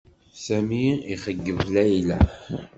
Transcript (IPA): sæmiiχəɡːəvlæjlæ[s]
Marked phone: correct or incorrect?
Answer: incorrect